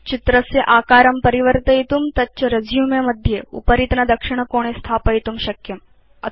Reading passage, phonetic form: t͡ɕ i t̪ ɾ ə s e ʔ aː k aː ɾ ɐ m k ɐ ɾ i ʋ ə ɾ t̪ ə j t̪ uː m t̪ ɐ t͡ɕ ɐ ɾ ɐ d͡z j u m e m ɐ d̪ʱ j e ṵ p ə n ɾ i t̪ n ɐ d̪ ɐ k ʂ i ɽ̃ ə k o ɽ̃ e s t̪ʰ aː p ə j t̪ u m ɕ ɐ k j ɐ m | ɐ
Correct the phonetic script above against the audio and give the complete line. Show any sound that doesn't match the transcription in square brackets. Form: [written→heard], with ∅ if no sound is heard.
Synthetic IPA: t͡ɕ i t̪ ɾ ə s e ʔ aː k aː ɾ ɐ m [k→p] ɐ ɾ i ʋ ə ɾ t̪ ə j t̪ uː m t̪ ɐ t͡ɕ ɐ ɾ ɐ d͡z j u m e m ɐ d̪ʱ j e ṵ p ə [n→∅] ɾ i t̪ n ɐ d̪ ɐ k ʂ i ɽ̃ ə k o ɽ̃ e s t̪ʰ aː p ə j t̪ u m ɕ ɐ k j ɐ m | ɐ